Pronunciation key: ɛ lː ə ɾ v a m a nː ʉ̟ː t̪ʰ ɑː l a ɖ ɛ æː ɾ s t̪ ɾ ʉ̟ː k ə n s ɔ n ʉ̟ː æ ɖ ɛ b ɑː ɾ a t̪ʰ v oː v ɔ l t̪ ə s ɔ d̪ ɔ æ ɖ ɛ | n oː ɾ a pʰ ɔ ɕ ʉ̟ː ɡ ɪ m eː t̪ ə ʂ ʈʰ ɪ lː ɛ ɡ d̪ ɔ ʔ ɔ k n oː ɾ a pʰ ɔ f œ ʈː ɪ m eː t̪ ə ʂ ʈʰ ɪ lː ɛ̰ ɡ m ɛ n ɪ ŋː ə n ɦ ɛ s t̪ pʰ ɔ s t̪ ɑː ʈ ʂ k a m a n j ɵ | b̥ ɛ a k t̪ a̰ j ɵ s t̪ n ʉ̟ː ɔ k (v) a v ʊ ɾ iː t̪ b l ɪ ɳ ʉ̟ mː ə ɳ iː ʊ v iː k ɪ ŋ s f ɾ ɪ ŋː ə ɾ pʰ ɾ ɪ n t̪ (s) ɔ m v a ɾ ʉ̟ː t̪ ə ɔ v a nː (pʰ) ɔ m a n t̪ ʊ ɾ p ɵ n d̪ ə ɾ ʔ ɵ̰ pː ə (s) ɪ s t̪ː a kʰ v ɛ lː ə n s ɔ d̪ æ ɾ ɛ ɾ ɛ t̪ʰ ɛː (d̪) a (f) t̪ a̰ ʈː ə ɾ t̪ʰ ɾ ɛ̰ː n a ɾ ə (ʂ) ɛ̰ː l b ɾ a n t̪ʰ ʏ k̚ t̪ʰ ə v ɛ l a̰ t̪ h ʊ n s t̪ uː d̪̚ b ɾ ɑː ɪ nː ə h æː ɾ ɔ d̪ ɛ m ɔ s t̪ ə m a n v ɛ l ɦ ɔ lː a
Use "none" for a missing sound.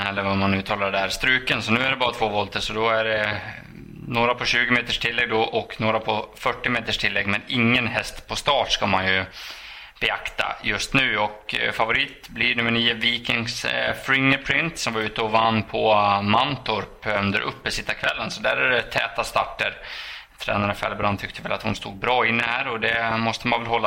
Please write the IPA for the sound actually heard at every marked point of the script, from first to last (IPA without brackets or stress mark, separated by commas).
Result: f, s, pʰ, s, t̪, s, f